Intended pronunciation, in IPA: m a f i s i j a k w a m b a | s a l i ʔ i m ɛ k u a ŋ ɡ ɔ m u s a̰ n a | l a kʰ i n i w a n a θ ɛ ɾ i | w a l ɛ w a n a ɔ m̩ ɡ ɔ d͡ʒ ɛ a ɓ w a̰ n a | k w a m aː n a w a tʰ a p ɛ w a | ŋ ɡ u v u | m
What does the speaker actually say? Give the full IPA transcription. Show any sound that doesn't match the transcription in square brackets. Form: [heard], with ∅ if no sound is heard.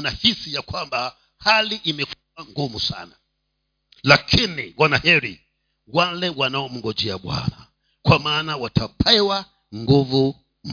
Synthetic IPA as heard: [n] a [h] i s i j a k w a m b a | [h] a l i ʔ i m ɛ k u a ŋ ɡ [u] m u s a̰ n a | l a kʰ i n i w a n a [h] ɛ ɾ i | w a l ɛ w a n a ɔ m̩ ɡ ɔ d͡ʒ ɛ a ɓ w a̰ n a | k w a m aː n a w a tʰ a p ɛ w a | ŋ ɡ u v u | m